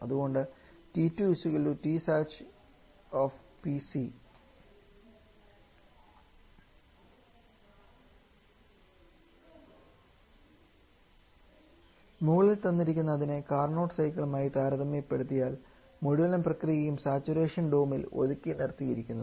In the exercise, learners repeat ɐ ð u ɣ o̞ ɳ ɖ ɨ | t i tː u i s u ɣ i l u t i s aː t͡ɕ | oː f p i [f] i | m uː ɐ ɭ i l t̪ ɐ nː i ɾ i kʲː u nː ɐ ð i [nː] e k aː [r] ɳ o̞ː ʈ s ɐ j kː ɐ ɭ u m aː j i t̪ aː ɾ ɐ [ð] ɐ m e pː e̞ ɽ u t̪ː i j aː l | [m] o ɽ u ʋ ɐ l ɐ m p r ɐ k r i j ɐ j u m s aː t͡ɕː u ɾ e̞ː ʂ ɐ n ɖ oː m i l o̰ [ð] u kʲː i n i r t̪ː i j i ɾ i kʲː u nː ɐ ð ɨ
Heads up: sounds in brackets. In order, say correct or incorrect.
incorrect: s, incorrect: n, correct, correct, correct, correct

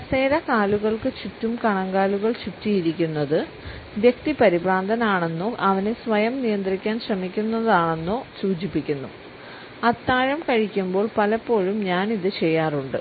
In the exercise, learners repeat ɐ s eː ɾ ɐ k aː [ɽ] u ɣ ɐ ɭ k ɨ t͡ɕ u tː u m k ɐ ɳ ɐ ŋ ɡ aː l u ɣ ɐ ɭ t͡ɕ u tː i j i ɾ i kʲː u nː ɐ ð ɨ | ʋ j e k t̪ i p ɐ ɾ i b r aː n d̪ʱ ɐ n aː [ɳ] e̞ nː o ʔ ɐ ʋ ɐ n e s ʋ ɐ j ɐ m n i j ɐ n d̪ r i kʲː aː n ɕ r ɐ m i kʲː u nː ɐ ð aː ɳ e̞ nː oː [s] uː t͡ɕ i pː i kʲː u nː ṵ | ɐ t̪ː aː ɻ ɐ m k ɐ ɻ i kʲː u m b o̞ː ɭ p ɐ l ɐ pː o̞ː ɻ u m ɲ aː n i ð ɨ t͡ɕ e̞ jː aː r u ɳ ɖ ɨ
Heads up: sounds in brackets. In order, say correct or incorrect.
incorrect: l, correct, correct

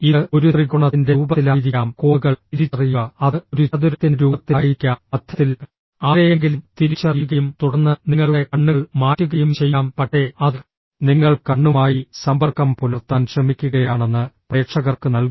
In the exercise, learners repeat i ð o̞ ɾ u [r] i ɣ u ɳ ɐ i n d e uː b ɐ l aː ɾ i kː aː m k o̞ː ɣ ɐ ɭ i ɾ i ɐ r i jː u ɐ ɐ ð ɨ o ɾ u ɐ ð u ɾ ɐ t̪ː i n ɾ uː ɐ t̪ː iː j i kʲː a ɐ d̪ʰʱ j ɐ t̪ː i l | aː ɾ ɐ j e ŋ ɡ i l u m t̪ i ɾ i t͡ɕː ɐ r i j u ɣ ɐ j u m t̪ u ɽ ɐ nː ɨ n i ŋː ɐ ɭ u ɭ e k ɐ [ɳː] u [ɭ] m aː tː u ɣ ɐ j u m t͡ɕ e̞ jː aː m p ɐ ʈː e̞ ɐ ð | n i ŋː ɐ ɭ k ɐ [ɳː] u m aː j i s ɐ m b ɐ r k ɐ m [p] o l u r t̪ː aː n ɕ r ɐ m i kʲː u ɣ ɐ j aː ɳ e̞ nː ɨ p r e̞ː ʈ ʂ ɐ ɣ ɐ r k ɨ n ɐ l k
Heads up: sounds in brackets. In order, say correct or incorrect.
correct, correct, correct, correct, correct

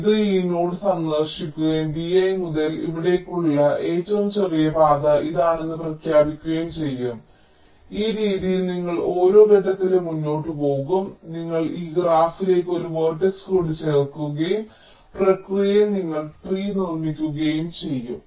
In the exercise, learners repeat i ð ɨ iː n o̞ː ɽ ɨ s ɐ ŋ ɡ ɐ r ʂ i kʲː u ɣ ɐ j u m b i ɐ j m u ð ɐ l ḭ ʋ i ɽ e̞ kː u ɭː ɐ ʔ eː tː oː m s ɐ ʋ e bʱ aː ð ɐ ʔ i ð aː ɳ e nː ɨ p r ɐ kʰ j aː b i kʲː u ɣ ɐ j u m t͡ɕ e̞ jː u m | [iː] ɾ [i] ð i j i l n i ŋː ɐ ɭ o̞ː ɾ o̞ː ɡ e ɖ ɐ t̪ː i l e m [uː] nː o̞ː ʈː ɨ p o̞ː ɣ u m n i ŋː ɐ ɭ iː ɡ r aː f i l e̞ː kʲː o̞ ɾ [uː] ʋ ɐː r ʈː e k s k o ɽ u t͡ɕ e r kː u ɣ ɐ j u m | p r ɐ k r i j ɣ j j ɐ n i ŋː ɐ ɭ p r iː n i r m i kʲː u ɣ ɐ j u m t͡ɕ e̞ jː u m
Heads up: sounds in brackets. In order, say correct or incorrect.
correct, incorrect: iː, incorrect: u, incorrect: u

